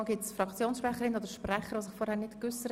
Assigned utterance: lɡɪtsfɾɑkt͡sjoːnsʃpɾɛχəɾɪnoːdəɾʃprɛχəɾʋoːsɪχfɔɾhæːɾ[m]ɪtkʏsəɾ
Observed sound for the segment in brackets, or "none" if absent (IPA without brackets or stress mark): n